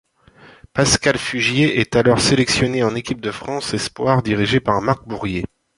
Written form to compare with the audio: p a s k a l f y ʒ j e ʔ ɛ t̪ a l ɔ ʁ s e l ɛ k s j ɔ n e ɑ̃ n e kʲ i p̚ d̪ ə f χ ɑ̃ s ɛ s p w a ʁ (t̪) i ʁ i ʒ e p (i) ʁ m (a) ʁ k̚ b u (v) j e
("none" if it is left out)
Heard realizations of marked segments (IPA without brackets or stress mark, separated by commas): d̪, a, a, ʁ